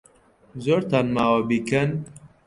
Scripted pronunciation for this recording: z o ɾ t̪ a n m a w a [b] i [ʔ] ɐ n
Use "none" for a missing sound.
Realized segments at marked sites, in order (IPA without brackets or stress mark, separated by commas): b, k